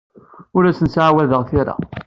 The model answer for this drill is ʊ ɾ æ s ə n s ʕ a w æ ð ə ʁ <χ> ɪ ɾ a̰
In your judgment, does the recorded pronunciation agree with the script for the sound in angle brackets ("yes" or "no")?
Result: no